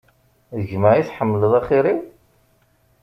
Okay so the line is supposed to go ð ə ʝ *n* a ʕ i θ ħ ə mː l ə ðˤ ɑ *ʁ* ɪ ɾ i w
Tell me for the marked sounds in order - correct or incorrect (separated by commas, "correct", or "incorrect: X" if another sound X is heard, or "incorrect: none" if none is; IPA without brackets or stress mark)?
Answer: incorrect: m, incorrect: χ